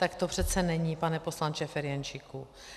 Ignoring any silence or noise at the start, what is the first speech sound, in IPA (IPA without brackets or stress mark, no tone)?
t̪